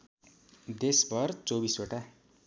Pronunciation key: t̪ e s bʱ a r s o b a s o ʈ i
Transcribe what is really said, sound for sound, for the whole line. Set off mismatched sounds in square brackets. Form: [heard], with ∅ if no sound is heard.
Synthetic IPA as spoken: [d̪] e s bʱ [ʌ] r [t͡s] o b [i] s o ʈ [a]